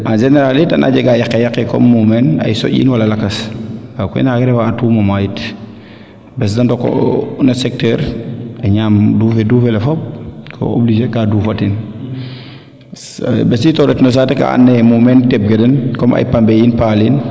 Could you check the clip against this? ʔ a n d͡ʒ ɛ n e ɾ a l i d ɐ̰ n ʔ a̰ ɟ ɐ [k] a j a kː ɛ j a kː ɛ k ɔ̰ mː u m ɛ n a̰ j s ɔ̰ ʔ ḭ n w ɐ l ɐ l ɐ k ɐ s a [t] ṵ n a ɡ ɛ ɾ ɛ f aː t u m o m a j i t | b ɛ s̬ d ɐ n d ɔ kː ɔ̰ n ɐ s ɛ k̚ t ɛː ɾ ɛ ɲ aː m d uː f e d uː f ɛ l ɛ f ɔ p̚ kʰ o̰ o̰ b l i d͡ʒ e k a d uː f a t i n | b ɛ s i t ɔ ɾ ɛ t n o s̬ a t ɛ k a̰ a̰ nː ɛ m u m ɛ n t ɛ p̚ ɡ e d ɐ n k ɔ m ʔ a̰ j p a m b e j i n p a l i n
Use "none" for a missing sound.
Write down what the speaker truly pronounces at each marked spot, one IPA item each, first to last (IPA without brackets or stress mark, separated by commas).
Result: ɡ, k